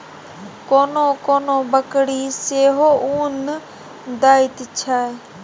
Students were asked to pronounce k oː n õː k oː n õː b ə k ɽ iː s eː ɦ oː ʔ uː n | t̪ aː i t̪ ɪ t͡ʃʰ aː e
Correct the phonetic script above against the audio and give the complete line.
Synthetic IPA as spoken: k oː n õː k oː n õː b ə k ɽ iː s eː ɦ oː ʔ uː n | d̪ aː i t̪ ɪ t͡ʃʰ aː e